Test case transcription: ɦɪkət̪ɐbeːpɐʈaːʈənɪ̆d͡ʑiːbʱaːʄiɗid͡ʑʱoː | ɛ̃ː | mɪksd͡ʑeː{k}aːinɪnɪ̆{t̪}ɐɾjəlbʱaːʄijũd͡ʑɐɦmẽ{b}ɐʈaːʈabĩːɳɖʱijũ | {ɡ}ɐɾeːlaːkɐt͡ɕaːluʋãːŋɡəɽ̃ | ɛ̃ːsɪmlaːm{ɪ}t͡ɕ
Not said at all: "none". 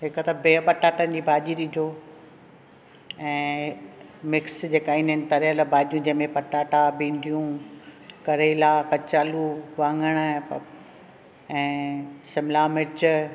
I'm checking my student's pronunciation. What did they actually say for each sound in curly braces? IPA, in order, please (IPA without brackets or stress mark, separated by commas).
k, t̪, p, k, ɪ